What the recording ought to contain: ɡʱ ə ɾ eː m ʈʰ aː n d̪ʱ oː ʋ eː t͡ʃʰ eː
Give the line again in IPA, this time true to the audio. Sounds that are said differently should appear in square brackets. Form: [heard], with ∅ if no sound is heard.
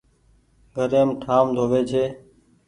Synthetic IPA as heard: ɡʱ ə ɾ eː m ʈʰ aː [m] d̪ʱ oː ʋ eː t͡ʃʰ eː

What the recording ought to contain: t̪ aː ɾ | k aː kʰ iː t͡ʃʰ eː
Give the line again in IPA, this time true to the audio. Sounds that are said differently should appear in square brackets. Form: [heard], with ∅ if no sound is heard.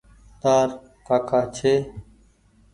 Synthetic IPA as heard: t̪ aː ɾ | k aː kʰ [aː] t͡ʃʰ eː

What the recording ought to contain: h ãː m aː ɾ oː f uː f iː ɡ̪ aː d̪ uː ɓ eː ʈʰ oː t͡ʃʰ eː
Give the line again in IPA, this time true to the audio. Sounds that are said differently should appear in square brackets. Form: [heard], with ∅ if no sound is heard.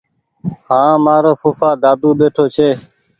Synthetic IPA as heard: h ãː m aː ɾ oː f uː f [aː] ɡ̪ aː d̪ uː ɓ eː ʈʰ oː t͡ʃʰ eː

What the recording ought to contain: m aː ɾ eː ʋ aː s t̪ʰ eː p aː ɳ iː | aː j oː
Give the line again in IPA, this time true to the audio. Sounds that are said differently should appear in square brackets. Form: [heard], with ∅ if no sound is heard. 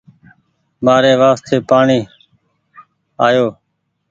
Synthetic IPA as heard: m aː ɾ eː ʋ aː s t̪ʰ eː p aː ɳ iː | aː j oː

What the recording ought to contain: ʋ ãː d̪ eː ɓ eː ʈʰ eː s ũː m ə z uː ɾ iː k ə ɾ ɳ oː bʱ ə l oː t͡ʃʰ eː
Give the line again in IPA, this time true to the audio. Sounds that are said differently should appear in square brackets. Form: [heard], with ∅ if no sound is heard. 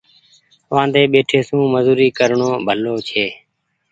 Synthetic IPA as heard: ʋ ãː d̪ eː ɓ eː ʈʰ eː s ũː m ə z uː ɾ iː k ə ɾ ɳ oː bʱ ə l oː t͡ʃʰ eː

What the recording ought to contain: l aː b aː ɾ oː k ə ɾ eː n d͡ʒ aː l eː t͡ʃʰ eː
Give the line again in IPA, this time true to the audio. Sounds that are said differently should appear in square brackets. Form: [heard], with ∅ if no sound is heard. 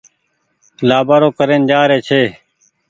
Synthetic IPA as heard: l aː b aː ɾ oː k ə ɾ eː n d͡ʒ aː [ɾ] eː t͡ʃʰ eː

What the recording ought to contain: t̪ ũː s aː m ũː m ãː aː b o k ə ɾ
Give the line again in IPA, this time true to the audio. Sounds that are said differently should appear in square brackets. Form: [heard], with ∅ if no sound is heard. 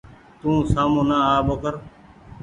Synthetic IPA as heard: t̪ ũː s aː m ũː [n] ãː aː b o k ə ɾ

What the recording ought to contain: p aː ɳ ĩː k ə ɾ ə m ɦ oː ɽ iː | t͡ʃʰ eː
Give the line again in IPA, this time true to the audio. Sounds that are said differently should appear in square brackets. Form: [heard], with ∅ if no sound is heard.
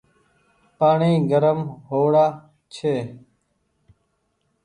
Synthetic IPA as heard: p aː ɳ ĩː [ɡ] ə ɾ ə m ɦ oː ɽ [aː] | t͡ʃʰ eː

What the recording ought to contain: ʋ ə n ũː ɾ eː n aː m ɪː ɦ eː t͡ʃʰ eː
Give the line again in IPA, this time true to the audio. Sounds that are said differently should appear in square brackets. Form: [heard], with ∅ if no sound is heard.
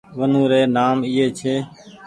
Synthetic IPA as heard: ʋ ə n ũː ɾ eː n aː m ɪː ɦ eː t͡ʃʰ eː

